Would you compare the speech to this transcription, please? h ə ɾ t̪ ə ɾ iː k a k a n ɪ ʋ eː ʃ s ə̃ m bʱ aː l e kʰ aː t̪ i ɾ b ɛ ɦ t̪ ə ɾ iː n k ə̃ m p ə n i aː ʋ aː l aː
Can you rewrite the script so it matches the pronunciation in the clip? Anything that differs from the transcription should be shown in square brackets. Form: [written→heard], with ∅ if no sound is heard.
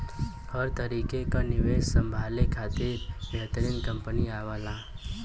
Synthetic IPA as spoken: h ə ɾ t̪ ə ɾ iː k [a→e] k a n ɪ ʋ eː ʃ s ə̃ m bʱ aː l e kʰ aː t̪ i ɾ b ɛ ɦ t̪ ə ɾ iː n k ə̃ m p ə n i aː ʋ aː l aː